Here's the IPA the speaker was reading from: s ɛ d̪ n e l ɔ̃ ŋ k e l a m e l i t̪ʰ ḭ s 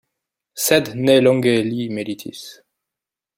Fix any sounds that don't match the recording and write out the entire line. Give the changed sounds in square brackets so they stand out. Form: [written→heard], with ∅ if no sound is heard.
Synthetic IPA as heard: s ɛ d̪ n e l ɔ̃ ŋ [k→ɡ] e l [a→i] m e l i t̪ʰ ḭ s